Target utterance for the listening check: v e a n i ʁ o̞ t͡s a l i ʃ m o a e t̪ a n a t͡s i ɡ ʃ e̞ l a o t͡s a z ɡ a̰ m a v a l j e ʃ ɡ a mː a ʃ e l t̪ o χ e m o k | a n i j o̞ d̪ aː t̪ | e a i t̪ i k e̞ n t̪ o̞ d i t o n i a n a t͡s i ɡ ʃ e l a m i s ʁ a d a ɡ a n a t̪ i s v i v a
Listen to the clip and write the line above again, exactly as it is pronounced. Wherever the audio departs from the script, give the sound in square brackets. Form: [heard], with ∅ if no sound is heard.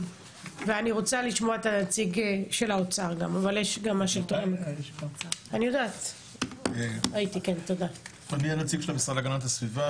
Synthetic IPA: v e a n i ʁ o̞ t͡s a l i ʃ m o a e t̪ a n a t͡s i ɡ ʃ e̞ l a o t͡s a [ʁ] ɡ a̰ m a v a l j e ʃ ɡ a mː a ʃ e l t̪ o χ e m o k | a n i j o̞ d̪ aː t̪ | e a i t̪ i k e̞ n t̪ o̞ d [a] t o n i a n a t͡s i ɡ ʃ e l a m i s ʁ a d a ɡ a n a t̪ [a] s v i v a